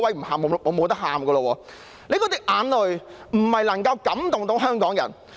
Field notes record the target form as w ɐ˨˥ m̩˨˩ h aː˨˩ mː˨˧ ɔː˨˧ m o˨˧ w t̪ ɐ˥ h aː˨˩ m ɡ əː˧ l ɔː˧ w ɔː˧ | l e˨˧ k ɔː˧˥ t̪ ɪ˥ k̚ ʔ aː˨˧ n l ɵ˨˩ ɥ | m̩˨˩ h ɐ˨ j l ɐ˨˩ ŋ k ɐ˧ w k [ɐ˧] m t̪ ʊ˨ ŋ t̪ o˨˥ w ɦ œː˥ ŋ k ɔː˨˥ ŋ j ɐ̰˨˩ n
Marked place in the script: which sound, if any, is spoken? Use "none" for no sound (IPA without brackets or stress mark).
ɐ˨˥